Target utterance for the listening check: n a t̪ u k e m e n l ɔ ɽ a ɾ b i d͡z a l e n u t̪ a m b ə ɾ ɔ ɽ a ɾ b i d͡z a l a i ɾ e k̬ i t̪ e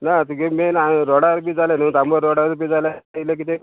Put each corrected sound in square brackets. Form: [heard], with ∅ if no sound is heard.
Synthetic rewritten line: n a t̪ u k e m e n [ɾ] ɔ ɽ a ɾ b i d͡z a l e n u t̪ a m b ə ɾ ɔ ɽ a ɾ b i d͡z a l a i [l] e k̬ i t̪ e